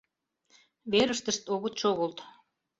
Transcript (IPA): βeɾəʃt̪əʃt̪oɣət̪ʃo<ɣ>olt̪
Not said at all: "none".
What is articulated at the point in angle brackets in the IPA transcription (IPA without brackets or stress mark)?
ɣ